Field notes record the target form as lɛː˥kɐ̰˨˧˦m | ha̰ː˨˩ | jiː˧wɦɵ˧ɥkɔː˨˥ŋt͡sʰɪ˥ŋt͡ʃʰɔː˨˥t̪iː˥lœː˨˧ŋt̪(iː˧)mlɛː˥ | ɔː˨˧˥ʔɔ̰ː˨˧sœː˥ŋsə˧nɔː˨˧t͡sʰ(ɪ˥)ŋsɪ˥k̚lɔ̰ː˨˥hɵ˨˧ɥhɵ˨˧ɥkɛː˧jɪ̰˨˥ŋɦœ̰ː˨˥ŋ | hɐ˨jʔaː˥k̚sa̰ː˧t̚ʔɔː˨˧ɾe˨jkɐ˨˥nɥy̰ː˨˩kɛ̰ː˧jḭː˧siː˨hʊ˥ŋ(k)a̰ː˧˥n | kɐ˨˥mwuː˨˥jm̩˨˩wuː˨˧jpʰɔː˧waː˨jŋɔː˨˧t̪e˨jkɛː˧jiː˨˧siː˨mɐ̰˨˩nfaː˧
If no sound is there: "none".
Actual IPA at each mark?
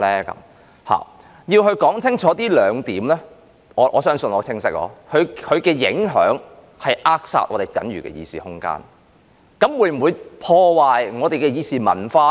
iː˨˥, ɪ˥, k

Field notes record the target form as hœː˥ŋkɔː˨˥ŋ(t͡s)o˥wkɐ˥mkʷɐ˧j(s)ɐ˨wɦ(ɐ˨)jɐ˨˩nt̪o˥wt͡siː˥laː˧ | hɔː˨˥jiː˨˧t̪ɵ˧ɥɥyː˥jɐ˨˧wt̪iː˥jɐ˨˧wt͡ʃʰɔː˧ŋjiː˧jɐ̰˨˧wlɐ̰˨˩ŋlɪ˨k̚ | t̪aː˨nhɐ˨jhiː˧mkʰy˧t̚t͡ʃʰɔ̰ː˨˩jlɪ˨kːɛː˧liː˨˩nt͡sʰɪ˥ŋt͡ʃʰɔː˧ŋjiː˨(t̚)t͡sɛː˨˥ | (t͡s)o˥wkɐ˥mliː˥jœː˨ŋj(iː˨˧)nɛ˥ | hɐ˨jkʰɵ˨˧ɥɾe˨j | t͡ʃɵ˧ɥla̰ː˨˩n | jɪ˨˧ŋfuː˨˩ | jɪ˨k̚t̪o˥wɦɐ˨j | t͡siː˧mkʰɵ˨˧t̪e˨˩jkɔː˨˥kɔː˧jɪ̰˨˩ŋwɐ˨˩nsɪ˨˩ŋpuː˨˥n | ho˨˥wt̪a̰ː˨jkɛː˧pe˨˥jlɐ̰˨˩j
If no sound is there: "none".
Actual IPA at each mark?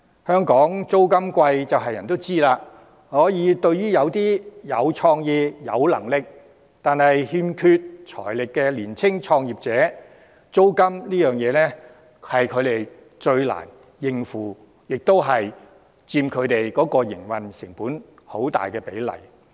t͡s, t͡s, ɐ˨, p̚, t͡s, ɛː˨˧

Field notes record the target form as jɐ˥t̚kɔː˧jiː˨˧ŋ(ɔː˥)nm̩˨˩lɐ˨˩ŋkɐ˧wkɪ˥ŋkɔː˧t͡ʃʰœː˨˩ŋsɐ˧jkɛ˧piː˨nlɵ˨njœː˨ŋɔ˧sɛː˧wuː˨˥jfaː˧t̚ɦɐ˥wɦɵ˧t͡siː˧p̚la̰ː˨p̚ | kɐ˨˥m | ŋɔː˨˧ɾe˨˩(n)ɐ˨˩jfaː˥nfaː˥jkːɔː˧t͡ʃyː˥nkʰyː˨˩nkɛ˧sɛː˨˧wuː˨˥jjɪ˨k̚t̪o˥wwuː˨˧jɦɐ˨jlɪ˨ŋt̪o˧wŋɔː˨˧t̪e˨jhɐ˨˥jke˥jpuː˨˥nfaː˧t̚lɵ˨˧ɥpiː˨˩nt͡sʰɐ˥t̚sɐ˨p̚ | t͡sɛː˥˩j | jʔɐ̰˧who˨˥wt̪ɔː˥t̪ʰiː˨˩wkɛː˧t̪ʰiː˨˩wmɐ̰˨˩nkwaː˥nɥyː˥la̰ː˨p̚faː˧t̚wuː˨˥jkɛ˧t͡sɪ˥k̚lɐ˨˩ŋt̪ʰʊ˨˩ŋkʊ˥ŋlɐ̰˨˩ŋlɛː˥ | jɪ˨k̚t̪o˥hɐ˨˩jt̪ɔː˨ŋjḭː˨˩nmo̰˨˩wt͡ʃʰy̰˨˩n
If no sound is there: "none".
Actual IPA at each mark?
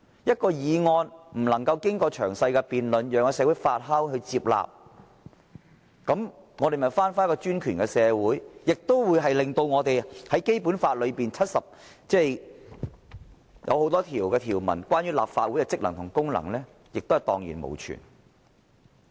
ɔː˧, m

